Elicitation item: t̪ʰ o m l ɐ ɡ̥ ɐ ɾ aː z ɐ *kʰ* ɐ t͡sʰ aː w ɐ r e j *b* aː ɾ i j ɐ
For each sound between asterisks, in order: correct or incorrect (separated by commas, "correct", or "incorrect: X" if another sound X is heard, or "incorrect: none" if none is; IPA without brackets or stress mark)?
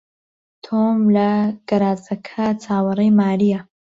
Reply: correct, incorrect: m